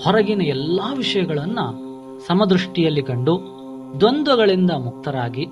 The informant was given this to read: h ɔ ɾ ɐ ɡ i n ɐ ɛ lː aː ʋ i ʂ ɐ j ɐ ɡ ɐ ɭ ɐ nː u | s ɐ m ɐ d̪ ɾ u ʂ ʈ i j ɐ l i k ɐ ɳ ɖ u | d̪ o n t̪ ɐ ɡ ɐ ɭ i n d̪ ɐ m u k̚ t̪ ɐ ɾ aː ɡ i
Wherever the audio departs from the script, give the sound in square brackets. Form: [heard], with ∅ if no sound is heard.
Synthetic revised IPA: h ɔ ɾ ɐ ɡ i n ɐ ɛ lː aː ʋ i ʂ ɐ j ɐ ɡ ɐ ɭ ɐ nː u | s ɐ m ɐ d̪ ɾ u ʂ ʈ i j ɐ [lː] i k ɐ ɳ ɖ u | d̪ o n [d̪] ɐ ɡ ɐ ɭ i n d̪ ɐ m u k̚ t̪ ɐ ɾ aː ɡ i